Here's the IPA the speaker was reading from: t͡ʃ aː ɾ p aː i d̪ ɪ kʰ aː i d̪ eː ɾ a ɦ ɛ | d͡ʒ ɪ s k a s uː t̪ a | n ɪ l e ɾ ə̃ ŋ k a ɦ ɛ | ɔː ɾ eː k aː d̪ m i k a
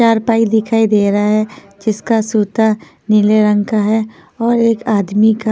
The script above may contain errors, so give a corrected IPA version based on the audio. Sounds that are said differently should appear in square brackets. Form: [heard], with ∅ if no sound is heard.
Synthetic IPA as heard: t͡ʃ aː ɾ p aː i d̪ ɪ kʰ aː i d̪ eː ɾ a ɦ ɛ | d͡ʒ ɪ s k a s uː t̪ a | n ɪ l e ɾ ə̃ ŋ k a ɦ ɛ | ɔː ɾ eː k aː d̪ m i k a